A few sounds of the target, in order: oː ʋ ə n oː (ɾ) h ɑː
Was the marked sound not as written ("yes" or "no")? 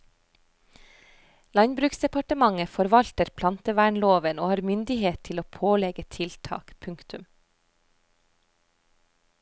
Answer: yes